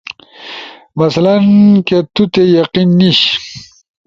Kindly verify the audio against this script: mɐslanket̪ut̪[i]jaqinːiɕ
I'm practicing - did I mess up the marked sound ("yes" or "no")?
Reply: yes